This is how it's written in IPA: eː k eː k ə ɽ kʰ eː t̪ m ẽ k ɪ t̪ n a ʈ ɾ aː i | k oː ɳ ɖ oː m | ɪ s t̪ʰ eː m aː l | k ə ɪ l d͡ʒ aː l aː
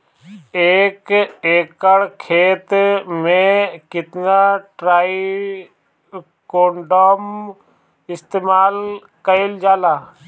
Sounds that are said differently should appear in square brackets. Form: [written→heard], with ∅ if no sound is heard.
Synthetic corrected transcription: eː k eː k ə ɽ kʰ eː t̪ m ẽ k ɪ t̪ n a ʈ ɾ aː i | k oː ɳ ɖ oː m | ɪ s [t̪ʰ→t̪] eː m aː l | k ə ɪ l d͡ʒ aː l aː